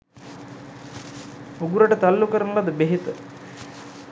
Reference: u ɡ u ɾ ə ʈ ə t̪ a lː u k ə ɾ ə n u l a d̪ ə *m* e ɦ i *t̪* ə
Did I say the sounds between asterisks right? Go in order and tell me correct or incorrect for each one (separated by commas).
incorrect, correct